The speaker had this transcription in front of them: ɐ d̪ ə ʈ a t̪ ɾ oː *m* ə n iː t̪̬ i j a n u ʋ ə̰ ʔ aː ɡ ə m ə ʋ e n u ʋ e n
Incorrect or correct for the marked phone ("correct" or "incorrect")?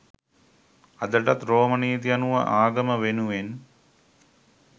correct